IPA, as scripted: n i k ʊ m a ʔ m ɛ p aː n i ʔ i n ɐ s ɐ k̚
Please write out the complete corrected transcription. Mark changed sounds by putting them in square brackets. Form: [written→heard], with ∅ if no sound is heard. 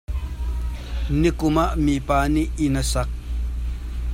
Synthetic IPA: n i k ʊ m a ʔ m [ɛ→i] p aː n i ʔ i n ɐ s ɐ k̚